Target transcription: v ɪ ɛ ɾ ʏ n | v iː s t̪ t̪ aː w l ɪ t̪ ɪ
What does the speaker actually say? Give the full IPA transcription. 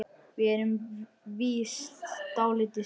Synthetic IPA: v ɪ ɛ ɾ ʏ m | v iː s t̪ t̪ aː w l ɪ t̪ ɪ